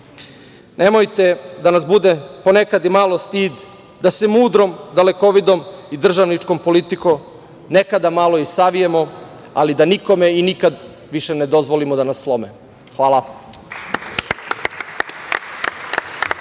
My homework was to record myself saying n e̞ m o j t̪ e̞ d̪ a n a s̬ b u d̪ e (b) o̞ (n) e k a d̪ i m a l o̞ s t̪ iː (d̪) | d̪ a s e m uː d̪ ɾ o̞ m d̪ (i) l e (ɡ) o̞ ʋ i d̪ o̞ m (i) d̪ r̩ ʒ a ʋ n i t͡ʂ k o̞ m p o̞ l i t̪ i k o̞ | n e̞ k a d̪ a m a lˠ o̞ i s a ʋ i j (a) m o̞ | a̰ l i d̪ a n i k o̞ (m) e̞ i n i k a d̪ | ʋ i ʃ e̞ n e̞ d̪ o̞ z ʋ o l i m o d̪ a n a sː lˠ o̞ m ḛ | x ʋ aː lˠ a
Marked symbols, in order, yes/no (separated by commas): no, yes, yes, no, no, yes, no, yes